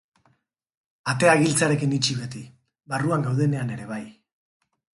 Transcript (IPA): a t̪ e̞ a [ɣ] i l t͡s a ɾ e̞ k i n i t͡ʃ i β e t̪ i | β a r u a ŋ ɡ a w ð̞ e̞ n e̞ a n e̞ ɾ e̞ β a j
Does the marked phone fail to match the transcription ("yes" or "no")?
no